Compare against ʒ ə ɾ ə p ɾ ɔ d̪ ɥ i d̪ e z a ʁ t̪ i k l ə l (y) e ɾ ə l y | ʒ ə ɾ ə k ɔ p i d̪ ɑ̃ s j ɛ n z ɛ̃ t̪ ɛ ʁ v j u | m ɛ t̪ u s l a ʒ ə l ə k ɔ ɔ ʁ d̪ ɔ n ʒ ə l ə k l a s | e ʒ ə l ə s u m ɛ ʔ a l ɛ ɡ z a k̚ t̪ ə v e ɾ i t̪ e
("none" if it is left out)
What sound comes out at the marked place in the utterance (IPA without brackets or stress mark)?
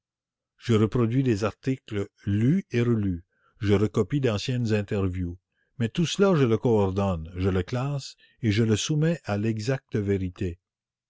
y